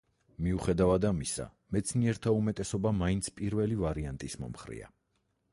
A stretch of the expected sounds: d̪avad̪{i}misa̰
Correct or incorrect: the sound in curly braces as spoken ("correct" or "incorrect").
incorrect